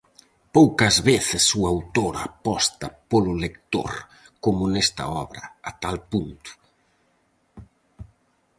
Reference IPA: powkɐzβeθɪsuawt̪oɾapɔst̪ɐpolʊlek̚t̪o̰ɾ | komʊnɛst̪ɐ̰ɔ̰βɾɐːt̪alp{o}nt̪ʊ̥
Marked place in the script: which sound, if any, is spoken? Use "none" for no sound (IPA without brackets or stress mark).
u